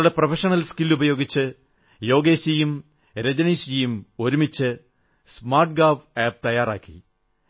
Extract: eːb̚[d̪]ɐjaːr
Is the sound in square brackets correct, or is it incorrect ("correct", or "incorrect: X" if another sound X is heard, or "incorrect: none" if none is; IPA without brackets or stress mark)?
incorrect: t̪